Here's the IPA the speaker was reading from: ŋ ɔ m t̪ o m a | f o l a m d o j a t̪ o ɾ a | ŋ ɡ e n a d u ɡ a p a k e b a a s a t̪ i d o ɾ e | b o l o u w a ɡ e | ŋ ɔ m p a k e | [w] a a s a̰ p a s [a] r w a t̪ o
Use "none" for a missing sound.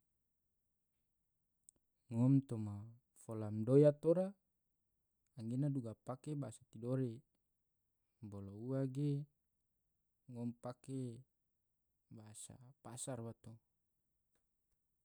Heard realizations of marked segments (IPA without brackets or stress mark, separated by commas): b, a